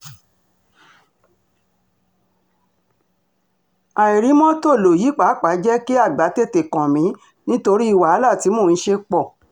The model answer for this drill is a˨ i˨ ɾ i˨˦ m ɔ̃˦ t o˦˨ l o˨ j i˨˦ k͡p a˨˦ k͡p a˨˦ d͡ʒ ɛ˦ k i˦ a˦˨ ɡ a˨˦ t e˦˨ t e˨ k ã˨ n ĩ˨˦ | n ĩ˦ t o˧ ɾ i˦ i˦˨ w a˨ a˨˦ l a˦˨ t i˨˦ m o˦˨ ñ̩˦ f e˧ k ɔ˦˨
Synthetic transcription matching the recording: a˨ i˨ ɾ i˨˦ m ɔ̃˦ t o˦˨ l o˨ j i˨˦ k͡p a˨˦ k͡p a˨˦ d͡ʒ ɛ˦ k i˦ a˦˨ ɡ͡b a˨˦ t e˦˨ t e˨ k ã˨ m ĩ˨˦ | n ĩ˦ t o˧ ɾ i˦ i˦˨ w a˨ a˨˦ l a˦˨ t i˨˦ m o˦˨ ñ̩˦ ʃ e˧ k͡p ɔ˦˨